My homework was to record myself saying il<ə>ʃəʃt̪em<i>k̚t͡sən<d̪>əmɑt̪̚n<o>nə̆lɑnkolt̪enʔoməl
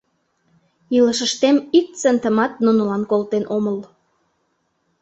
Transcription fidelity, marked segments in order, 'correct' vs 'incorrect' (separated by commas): correct, correct, incorrect, incorrect